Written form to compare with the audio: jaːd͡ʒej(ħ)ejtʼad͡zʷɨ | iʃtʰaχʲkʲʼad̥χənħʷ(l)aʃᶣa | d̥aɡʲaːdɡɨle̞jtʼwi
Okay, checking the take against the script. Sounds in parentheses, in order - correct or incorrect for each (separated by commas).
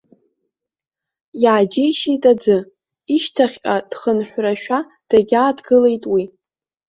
incorrect, incorrect